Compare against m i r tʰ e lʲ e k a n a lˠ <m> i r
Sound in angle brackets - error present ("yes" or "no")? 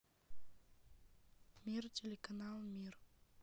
no